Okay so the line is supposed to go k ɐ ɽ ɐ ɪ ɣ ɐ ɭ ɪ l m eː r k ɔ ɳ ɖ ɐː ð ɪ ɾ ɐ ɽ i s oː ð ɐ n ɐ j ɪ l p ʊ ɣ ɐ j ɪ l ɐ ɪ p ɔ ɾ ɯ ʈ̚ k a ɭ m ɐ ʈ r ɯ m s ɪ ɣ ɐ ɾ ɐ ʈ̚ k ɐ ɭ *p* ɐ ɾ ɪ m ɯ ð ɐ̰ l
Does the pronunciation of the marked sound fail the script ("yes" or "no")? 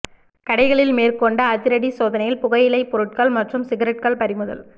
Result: no